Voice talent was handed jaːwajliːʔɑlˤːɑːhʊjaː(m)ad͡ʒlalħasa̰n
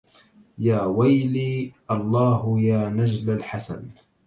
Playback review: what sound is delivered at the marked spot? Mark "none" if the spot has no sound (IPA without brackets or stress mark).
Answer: n